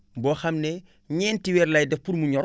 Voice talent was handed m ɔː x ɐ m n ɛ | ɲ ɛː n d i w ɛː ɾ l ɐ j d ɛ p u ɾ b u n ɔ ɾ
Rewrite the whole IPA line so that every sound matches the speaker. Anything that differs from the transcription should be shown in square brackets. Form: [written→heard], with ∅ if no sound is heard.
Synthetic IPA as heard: [m→b] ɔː x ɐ m n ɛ | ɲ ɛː n [d→t] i w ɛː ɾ l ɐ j d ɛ p u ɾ [b→m] u [n→ɲ] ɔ ɾ